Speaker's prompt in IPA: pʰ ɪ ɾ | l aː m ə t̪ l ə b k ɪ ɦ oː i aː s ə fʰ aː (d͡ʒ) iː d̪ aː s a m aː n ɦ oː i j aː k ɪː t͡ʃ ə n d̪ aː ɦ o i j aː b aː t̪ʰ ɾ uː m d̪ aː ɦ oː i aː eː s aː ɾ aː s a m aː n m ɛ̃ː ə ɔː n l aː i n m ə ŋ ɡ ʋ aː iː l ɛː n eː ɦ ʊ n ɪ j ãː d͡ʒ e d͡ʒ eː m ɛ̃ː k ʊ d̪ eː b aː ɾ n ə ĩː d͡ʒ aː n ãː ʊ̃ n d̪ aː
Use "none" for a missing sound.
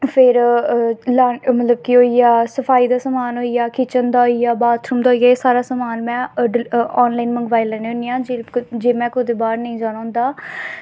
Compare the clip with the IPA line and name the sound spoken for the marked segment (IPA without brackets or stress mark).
none